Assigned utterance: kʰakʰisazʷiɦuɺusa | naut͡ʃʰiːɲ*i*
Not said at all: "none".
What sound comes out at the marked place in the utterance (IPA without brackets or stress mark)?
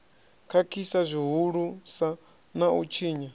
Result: a